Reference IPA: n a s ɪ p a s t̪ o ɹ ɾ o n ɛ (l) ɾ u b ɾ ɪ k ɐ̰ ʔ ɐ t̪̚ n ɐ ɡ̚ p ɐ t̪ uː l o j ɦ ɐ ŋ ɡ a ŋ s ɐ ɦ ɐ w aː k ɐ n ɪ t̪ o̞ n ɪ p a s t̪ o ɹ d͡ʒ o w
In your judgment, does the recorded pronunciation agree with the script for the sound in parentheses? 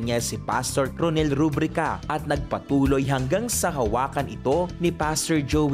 yes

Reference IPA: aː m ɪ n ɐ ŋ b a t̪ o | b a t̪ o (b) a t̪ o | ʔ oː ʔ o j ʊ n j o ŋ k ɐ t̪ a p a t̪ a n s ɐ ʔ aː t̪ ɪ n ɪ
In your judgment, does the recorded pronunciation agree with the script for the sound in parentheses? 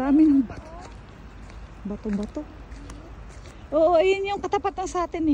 yes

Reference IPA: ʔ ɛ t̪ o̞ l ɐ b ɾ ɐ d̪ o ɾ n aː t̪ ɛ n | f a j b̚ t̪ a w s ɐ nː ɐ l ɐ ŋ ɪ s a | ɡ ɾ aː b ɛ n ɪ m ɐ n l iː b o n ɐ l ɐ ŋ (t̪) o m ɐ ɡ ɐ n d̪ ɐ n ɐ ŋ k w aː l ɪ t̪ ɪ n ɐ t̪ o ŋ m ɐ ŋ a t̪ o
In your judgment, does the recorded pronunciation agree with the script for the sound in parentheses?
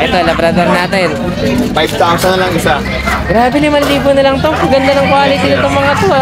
yes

